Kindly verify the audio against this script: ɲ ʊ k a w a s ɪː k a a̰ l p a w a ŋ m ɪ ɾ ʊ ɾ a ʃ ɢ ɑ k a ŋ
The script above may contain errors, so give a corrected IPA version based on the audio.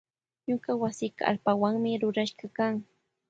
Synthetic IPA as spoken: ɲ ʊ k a w a s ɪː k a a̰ l p a w a ŋ m ɪ ɾ ʊ ɾ a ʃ ɢ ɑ k a ŋ